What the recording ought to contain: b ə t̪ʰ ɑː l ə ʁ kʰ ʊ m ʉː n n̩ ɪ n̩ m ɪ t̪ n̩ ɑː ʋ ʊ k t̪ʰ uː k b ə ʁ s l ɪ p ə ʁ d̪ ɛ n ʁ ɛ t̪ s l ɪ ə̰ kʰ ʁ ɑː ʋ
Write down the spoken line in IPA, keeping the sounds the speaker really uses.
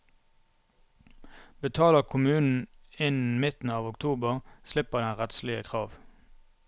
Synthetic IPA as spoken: b ə t̪ʰ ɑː l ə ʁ kʰ ʊ m ʉː n n̩ ɪ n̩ m ɪ t̪ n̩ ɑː ʋ ʊ k t̪ʰ uː b ə ʁ s l ɪ p ə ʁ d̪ ɛ n ʁ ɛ t̪ s l ɪ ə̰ kʰ ʁ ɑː ʋ